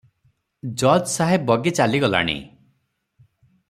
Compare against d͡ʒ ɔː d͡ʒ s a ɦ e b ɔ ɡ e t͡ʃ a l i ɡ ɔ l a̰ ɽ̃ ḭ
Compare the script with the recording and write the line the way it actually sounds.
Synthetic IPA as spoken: d͡ʒ ɔ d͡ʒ s a ɦ e b ɔ ɡ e t͡ʃ a l i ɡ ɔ l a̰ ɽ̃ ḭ